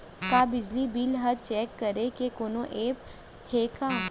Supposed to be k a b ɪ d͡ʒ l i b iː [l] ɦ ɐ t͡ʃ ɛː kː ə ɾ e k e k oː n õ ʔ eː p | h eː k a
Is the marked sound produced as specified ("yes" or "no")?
yes